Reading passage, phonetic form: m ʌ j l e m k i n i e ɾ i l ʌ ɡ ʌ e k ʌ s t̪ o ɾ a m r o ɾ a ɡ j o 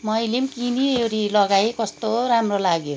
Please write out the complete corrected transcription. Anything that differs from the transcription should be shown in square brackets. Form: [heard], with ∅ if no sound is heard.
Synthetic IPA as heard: m ʌ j l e m k i n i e ɾ i l ʌ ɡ [a] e k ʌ s t̪ o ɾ a m r o [l] a ɡ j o